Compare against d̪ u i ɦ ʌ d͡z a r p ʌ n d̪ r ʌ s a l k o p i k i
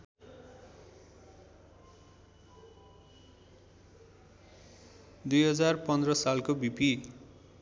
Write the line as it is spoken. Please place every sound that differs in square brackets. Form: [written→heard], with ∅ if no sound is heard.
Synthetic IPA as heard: d̪ u [i→j] ɦ ʌ d͡z a r p ʌ n d̪ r ʌ s a l k o [p→b] i [k→p] i